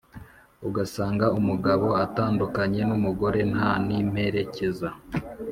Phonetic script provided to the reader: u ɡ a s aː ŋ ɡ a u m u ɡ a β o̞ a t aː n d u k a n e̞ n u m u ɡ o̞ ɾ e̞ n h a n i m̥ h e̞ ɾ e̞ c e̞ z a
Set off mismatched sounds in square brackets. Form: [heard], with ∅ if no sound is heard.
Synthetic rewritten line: u ɡ a s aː ŋ ɡ a u m u ɡ a β o̞ a t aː n d u k a [ɲ] e̞ n u m u ɡ o̞ ɾ e̞ n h a n i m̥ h e̞ ɾ e̞ c e̞ z a